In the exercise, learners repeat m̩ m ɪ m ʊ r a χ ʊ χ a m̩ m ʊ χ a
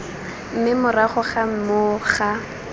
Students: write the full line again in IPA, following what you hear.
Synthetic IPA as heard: m̩ m ɪ m ʊ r a χ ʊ χ a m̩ m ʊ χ a